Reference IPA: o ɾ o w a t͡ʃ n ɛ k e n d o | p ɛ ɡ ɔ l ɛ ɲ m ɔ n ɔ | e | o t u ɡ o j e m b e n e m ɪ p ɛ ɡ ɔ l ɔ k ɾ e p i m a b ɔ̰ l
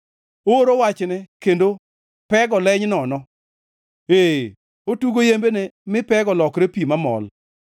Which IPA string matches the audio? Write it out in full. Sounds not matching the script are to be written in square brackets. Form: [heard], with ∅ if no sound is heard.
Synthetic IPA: o ɾ o w a t͡ʃ n ɛ k e n d o | p ɛ ɡ ɔ l ɛ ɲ [n] ɔ n ɔ | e | o t u ɡ o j e m b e n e m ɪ p ɛ ɡ ɔ l ɔ k ɾ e p i m a [m] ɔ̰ l